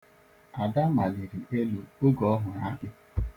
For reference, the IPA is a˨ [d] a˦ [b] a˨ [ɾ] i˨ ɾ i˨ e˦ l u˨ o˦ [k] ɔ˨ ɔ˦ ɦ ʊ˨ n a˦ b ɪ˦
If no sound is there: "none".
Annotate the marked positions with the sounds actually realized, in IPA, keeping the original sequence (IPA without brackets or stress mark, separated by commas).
d, m, l, ɡ